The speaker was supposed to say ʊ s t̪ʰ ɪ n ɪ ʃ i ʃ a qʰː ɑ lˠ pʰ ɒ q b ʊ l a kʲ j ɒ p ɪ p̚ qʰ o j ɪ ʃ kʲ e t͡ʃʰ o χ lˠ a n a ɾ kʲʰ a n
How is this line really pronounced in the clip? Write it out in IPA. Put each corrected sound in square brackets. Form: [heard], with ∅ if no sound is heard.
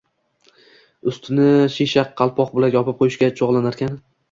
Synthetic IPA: ʊ s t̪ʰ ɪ n ɪ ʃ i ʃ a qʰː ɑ lˠ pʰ ɒ q b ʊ l a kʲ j ɒ p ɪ p̚ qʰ o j ɪ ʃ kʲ [a] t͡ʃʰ o [ʁ] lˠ a n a ɾ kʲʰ a n